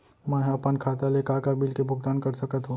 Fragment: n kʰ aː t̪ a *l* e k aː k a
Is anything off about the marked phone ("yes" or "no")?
no